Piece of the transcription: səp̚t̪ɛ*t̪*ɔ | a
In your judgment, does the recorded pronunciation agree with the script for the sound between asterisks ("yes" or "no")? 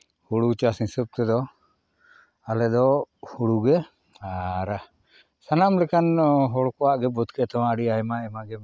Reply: no